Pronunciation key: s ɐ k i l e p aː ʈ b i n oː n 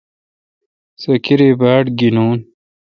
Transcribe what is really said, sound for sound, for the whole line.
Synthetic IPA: s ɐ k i ɾ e b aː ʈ ɡ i n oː n